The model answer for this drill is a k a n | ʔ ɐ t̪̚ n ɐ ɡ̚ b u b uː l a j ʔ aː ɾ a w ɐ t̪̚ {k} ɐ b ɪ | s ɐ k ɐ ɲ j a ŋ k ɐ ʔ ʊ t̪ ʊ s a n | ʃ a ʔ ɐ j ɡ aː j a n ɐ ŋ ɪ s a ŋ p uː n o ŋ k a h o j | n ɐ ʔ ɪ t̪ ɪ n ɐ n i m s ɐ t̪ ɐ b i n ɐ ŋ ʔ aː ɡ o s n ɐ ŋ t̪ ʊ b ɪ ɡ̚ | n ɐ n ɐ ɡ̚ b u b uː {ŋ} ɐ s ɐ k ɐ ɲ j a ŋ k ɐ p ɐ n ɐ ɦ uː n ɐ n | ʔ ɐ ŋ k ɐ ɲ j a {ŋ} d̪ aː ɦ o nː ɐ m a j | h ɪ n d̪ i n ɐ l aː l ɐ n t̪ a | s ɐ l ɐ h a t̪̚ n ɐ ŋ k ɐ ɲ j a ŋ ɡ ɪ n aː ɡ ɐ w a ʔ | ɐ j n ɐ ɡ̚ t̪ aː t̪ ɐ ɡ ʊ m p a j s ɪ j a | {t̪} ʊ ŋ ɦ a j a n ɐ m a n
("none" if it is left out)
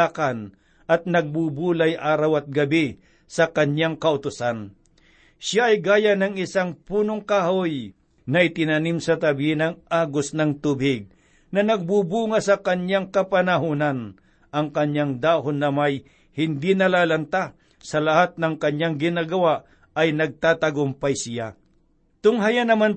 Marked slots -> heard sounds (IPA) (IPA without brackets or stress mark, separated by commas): ɡ, ŋ, ŋ, t̪